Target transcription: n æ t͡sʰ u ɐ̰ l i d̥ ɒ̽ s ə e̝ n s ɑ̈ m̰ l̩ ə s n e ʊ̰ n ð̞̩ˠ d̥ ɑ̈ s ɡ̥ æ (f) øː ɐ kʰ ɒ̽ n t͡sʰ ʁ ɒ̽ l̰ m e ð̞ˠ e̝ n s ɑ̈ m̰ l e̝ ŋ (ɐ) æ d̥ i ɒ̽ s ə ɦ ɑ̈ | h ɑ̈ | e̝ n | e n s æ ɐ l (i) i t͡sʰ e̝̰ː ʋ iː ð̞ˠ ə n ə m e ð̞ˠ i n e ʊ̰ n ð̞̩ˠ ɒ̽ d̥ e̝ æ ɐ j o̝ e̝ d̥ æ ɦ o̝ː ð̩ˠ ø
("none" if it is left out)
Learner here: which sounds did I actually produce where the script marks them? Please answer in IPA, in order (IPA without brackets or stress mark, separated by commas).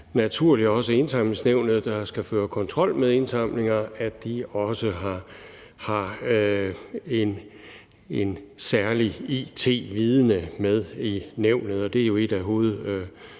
f, ɐ, i